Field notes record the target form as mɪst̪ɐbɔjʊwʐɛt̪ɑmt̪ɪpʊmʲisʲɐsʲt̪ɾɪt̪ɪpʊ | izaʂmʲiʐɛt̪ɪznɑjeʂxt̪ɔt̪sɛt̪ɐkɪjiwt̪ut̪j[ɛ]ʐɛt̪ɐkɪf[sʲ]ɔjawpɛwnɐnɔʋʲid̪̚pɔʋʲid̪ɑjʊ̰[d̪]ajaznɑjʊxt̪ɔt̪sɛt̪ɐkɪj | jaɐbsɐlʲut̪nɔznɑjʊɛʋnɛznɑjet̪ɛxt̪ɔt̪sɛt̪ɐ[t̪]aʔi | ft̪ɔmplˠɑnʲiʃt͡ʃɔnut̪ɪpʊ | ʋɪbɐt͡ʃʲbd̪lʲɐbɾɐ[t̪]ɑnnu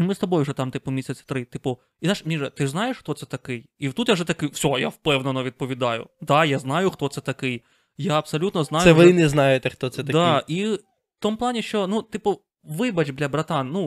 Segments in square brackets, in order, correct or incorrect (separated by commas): incorrect, correct, correct, incorrect, correct